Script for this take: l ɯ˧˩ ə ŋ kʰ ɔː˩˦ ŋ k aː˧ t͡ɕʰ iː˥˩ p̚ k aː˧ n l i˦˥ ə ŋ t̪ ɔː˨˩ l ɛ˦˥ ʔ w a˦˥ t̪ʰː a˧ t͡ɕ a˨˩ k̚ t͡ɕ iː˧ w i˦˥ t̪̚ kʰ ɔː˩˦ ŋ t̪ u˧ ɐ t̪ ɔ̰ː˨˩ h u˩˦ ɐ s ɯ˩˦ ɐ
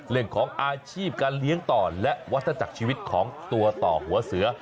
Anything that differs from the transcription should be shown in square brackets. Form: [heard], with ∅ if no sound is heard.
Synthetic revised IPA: l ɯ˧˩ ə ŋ kʰ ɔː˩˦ ŋ [ʔ] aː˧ t͡ɕʰ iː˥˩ p̚ k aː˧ n l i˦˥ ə ŋ t̪ ɔː˨˩ l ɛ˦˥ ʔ w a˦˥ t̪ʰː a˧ t͡ɕ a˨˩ k̚ [t͡ɕʰ] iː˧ w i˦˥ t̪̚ kʰ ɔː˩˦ ŋ t̪ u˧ ɐ t̪ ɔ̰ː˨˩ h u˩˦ ɐ s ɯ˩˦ ɐ